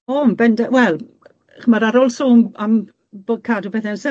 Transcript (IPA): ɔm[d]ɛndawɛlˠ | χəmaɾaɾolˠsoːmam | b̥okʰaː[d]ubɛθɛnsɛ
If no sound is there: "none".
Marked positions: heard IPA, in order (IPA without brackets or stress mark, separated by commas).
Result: b, d